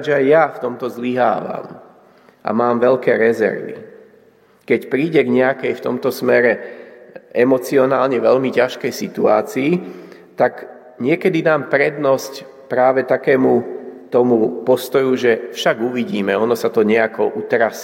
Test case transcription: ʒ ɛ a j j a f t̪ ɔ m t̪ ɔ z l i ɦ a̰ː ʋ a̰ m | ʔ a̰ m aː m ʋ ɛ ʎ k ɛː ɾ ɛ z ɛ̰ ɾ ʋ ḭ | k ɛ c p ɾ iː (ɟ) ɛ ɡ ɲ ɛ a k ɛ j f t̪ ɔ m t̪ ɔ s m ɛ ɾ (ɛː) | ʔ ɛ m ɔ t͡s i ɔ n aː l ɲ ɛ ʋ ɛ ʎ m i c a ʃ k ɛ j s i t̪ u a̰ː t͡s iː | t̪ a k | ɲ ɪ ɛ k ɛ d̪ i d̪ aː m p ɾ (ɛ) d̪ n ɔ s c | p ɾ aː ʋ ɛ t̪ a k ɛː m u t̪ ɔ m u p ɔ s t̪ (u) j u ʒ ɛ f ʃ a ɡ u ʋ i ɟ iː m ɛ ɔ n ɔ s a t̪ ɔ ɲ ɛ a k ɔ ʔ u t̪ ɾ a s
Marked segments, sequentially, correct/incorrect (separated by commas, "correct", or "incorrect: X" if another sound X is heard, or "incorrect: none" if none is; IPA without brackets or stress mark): correct, incorrect: ɛ, correct, incorrect: ɔ